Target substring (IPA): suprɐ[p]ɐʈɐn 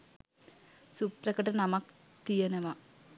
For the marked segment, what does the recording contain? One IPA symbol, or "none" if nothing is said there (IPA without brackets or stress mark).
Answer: k